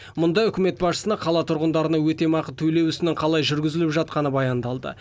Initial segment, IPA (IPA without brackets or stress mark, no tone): m